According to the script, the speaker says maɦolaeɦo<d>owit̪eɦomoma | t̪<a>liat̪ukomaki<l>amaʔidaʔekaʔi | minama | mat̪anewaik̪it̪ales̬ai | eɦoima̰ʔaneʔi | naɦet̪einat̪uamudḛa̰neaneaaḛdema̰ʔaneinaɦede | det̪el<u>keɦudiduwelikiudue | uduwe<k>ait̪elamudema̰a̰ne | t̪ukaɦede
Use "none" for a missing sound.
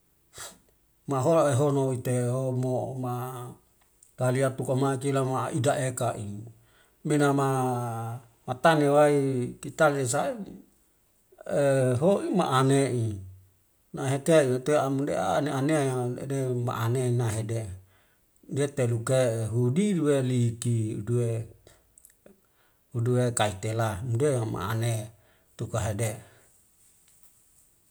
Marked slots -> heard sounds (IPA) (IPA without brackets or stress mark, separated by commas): n, a, l, u, k